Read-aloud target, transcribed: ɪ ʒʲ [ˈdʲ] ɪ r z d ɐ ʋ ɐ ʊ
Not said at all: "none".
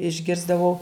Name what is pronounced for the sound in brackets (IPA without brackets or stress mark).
ɡʲ